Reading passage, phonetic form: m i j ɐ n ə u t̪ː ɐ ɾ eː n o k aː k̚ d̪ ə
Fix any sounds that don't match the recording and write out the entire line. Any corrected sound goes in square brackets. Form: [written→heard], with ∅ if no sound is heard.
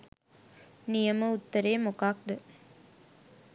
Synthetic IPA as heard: [m→n] i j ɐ [n→m] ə u t̪ː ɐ ɾ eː [n→m] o k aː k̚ d̪ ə